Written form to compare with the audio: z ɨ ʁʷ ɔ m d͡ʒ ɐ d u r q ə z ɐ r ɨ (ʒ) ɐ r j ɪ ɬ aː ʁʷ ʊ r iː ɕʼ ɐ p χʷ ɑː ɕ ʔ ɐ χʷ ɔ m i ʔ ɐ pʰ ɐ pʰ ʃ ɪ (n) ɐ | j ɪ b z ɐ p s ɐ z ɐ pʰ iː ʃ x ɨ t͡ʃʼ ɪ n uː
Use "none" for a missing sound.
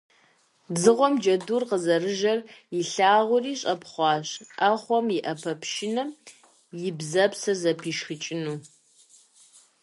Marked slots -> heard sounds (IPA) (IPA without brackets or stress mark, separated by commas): ʒ, n